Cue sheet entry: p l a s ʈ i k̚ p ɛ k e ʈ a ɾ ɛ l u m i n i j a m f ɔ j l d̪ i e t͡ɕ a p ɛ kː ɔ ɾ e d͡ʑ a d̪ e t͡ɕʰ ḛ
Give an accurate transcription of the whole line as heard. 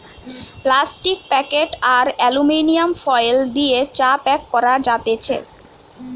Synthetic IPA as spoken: p l a s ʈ i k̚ p ɛ k e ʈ a ɾ ɛ l u m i n i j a m f ɔ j l d̪ i e t͡ɕ a p ɛ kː ɔ ɾ a d͡ʑ a t̪ e t͡ɕʰ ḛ